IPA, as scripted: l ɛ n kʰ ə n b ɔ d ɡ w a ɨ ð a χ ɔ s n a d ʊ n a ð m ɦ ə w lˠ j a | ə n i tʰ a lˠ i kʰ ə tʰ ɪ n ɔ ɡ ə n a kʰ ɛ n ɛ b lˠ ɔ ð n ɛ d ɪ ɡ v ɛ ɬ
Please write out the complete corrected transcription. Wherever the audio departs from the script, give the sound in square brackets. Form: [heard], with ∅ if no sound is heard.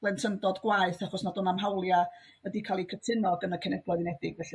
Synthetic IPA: l ɛ n [tʰ] ə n [d] ɔ d ɡ w a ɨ [θ] a χ ɔ s n a d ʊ n a [∅] m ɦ [a] w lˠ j a | ə [d] i [kʰ] a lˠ i kʰ ə tʰ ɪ n ɔ ɡ ə n a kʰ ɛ n ɛ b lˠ ɔ ð n ɛ d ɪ ɡ v ɛ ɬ